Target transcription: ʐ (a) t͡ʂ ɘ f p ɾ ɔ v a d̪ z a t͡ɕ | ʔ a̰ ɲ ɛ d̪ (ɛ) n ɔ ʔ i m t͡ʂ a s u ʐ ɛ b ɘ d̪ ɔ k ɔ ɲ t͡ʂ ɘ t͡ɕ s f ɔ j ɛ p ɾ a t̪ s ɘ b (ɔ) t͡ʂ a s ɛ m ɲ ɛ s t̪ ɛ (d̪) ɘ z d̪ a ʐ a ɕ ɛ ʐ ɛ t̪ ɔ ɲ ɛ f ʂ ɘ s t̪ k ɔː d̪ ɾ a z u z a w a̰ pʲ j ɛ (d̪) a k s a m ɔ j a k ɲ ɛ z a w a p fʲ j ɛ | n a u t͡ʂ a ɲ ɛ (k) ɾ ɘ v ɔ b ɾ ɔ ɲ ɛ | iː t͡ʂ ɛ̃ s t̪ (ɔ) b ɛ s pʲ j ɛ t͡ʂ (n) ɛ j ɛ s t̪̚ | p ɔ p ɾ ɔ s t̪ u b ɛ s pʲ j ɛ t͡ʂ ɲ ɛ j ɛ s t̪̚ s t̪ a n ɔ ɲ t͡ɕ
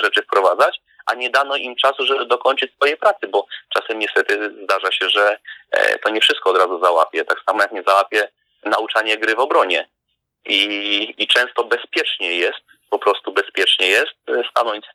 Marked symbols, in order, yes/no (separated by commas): no, no, yes, no, no, no, yes, no